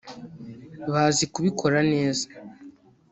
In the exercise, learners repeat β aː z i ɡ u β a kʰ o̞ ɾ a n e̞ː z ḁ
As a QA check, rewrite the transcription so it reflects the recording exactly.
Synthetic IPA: β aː z i k u β i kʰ o̞ ɾ a n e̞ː z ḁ